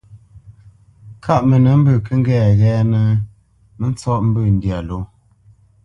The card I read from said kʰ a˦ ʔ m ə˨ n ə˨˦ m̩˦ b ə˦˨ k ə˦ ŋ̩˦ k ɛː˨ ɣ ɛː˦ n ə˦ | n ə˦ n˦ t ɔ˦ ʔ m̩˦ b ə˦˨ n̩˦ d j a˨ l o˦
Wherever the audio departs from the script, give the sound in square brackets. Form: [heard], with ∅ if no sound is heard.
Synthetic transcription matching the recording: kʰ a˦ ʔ m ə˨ n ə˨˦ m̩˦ b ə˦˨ k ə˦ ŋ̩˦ [ɡ] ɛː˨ ɣ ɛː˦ n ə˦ | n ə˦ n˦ [t͡s] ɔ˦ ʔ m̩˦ b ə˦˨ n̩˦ d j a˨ l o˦